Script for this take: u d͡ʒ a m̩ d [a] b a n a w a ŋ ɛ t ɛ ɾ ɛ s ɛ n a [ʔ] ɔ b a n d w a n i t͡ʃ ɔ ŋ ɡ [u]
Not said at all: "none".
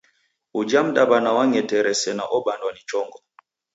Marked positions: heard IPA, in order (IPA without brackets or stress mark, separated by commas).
a, ʔ, ɔ